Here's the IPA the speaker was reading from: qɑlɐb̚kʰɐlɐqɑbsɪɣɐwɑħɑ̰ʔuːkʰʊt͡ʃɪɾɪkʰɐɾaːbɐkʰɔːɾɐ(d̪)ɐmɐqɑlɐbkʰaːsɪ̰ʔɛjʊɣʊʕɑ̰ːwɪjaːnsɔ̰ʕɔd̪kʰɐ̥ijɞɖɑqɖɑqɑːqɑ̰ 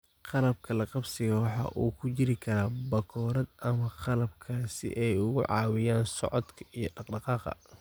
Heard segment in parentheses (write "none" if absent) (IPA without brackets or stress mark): d̪